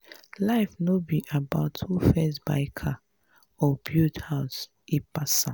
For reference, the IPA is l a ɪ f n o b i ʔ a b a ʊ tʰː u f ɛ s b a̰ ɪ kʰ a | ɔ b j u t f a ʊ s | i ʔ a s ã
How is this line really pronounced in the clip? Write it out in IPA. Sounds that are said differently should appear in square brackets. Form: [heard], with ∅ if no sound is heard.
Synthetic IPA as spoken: l a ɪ f n o b i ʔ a b a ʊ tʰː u f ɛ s b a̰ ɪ kʰ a | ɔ b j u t [h] a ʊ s | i [p] a s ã